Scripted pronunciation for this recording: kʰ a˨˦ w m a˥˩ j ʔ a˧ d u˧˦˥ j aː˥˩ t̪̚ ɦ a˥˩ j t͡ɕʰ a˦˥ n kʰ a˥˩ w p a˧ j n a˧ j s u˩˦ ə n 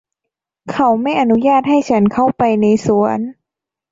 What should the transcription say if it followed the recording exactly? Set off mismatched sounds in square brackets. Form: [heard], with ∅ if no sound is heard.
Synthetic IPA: kʰ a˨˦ w m a˥˩ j ʔ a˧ [n] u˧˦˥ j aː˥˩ t̪̚ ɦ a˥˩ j t͡ɕʰ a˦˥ n kʰ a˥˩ w p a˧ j n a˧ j s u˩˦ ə n

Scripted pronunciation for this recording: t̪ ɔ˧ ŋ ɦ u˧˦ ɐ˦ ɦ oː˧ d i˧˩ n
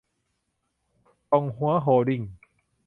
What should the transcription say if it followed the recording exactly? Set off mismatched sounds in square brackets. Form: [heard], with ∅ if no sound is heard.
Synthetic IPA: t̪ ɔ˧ ŋ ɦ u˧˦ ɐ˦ ɦ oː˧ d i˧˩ [ŋ]

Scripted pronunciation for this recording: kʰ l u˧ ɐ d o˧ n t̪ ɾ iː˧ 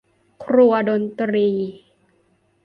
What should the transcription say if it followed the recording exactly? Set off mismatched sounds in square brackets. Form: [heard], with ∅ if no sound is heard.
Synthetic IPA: kʰ [ɾ] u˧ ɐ d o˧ n t̪ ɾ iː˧

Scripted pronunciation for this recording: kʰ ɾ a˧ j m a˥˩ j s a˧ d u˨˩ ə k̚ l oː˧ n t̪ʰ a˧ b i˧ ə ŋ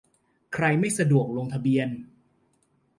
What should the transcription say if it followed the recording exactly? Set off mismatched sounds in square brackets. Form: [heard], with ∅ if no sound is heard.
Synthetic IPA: kʰ ɾ a˧ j m a˥˩ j s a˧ d u˨˩ ə k̚ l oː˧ [ŋ] t̪ʰ a˧ b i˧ ə [n]

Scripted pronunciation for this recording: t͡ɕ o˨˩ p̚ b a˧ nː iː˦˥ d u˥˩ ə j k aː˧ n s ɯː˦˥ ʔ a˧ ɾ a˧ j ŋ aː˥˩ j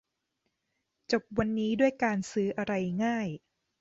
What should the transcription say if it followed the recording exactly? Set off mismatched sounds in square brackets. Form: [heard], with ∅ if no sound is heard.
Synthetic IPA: t͡ɕ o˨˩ p̚ [w] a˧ nː iː˦˥ d u˥˩ ə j k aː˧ n s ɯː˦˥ ʔ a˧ ɾ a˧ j ŋ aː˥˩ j

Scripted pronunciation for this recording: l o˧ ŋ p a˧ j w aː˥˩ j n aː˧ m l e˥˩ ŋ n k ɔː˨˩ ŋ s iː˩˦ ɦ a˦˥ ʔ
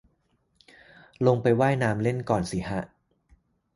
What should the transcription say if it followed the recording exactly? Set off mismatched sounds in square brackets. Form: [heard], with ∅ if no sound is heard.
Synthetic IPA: l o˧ ŋ p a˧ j w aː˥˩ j n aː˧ m l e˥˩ [∅] n k ɔː˨˩ [n] s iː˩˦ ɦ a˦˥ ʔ

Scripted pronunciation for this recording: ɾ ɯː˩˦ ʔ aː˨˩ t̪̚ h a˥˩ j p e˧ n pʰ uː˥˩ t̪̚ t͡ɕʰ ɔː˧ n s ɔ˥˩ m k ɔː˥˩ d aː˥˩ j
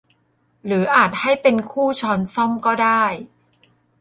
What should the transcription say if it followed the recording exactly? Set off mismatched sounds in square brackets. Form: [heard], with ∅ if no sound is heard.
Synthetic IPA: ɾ ɯː˩˦ ʔ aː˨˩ t̪̚ h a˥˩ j p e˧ n [kʰ] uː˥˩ [∅] t͡ɕʰ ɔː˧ n s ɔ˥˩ m k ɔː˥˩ d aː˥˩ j

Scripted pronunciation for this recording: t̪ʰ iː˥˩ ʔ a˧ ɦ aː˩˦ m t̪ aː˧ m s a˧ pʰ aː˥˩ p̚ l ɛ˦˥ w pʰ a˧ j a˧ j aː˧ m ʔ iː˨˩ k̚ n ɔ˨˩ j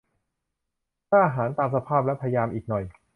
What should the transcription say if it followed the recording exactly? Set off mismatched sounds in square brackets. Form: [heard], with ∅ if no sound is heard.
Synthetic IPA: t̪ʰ [aː˥˩] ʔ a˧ ɦ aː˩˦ [n] t̪ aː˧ m s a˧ pʰ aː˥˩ p̚ l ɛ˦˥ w pʰ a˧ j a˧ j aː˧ m ʔ iː˨˩ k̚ n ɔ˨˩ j

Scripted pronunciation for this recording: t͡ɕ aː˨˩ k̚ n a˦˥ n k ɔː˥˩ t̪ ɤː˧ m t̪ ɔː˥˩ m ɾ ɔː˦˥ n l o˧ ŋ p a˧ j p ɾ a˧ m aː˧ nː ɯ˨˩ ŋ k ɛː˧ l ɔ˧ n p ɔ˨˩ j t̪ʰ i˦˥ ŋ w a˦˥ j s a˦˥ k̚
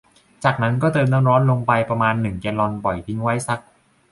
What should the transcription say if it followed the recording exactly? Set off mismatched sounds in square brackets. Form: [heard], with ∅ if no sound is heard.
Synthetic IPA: t͡ɕ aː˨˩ k̚ n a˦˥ n k ɔː˥˩ t̪ ɤː˧ m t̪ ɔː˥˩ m ɾ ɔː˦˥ n l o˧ ŋ p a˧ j p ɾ a˧ m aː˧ nː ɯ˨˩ ŋ k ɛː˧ l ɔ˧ n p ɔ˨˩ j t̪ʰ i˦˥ ŋ w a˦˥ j s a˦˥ k̚

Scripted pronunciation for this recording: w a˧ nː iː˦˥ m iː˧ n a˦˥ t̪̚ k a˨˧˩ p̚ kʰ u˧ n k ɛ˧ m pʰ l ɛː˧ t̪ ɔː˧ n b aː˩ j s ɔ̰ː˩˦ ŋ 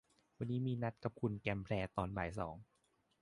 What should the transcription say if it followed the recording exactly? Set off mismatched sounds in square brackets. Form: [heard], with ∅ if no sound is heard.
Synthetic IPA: w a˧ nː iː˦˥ m iː˧ n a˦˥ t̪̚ k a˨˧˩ p̚ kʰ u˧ n k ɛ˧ m pʰ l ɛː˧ t̪ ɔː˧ n b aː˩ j s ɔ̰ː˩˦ ŋ

